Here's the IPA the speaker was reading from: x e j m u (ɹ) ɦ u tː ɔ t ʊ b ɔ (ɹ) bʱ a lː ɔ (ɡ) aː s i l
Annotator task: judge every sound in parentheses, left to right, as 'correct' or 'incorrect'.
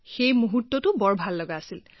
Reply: incorrect: none, correct, correct

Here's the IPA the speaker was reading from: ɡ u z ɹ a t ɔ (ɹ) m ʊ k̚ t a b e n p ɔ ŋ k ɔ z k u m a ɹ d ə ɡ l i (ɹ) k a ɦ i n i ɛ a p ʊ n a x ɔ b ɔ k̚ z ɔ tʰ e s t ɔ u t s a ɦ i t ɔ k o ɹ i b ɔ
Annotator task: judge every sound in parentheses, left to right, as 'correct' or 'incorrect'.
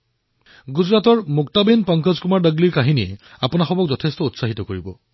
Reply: correct, correct

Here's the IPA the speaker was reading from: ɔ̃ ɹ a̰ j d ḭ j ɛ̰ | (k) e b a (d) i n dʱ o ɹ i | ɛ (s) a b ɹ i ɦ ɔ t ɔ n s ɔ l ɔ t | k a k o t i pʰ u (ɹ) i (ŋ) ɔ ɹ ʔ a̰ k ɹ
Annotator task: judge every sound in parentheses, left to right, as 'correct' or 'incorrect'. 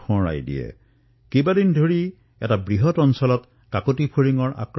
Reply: correct, correct, incorrect: t, correct, correct

